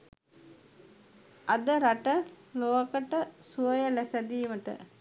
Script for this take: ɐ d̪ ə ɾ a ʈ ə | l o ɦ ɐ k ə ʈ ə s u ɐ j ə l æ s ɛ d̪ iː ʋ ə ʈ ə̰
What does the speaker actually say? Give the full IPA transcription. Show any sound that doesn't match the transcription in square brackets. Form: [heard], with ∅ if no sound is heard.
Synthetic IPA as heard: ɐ d̪ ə ɾ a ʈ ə | l o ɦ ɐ k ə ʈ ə s u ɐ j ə l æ s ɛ d̪ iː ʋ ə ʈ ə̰

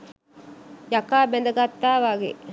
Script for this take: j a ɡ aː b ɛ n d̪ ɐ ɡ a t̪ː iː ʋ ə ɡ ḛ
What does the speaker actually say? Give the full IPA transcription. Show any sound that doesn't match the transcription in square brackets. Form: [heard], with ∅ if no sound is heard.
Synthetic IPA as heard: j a [k] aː b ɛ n d̪ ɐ ɡ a t̪ː [aː] ʋ [a] ɡ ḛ

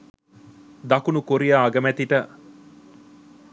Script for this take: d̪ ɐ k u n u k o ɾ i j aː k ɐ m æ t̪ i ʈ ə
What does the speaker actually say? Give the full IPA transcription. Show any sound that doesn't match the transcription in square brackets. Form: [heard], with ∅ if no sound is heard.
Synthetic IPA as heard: d̪ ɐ k u n u k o ɾ i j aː [ɡ] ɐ m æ t̪ i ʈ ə

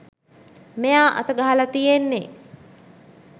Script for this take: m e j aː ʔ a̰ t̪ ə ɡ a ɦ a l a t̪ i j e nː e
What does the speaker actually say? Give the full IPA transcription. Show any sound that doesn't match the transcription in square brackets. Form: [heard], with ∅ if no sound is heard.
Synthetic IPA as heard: m e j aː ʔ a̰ t̪ ə ɡ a ɦ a l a t̪ i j e nː e

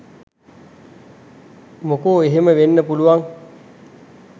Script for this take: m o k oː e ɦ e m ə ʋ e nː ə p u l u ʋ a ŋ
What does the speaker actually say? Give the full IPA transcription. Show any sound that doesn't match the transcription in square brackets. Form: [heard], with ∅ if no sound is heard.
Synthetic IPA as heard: m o k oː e ɦ e m ə ʋ e nː ə p u l u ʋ a ŋ

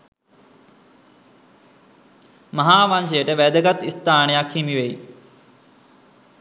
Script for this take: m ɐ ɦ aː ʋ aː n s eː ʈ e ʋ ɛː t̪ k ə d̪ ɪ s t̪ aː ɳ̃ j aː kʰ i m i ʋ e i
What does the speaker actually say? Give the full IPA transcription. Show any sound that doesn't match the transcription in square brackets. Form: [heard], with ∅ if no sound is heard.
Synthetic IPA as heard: m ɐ ɦ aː ʋ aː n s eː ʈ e ʋ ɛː [d̪] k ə [t̪] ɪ s t̪ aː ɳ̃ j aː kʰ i m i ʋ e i

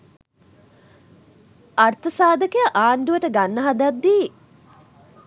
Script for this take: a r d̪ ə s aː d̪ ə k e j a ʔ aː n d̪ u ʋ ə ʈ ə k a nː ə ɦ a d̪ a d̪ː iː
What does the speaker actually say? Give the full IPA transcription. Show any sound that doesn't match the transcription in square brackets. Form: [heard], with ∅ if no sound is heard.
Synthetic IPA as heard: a r [t̪] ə s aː d̪ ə k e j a ʔ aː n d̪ u ʋ ə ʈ ə [ɡ] a nː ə ɦ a d̪ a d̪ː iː

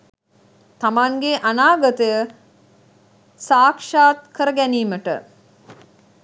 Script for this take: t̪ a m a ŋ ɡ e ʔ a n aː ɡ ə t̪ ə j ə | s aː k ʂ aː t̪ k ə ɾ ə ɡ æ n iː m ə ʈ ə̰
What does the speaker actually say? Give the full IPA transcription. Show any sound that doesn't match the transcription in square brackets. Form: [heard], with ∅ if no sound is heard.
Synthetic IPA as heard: t̪ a m a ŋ ɡ e ʔ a n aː ɡ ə t̪ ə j ə | s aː k ʂ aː t̪ k ə ɾ ə ɡ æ n iː m ə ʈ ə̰

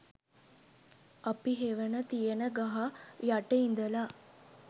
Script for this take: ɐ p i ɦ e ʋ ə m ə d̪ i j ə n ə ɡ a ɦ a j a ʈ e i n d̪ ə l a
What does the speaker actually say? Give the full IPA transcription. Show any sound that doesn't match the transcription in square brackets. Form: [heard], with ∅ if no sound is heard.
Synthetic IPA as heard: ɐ p i ɦ e ʋ ə [n] ə [t̪] i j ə n ə ɡ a ɦ a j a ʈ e i n d̪ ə l a

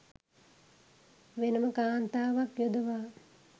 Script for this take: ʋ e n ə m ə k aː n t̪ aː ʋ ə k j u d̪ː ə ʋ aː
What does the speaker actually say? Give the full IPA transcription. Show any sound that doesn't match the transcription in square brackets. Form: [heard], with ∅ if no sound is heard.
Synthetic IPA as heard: ʋ e n ə m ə k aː n t̪ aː ʋ [a] k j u [d̪] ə ʋ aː

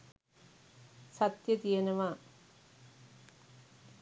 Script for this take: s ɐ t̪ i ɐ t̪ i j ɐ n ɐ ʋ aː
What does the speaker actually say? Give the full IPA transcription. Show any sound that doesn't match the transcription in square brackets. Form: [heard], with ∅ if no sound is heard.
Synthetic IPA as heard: s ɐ t̪ [j] ɐ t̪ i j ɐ n ɐ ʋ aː

